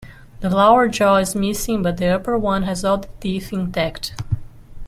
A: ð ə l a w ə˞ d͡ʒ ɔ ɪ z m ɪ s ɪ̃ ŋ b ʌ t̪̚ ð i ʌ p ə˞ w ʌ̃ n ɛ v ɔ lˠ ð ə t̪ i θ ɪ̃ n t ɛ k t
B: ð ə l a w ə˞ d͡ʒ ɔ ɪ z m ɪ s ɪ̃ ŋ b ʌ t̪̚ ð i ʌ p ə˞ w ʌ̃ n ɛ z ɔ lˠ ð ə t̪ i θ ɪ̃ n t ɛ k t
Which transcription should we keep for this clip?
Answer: B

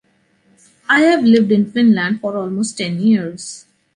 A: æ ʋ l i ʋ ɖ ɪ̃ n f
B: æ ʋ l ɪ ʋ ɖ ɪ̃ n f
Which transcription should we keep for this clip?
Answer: B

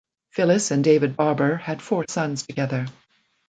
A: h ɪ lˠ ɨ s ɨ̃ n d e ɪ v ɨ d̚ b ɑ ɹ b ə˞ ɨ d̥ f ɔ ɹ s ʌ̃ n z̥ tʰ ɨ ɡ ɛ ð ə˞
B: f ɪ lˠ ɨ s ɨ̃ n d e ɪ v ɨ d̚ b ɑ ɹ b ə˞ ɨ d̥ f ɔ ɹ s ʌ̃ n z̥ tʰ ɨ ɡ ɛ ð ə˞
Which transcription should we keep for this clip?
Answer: B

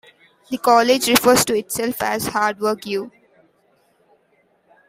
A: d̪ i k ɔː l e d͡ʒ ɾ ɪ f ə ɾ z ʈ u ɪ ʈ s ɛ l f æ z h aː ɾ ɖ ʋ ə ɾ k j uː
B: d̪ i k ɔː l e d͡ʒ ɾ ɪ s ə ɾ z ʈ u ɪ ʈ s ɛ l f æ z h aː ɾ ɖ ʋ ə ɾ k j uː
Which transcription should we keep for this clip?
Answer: A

